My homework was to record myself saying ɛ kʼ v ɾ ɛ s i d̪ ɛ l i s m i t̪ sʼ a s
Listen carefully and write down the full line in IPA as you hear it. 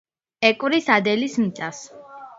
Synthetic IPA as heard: ɛ kʼ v ɾ i s a d̪ ɛ l i s m i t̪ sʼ a s